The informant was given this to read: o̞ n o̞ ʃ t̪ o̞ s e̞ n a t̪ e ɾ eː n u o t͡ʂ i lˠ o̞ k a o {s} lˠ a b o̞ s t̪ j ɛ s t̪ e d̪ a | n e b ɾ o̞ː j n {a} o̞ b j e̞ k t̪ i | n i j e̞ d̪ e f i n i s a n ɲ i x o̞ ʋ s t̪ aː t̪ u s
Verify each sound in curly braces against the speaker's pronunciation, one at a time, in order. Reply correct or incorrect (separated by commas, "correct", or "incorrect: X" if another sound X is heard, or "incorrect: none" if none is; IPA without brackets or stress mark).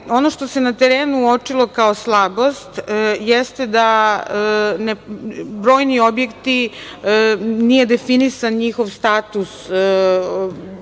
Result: correct, incorrect: i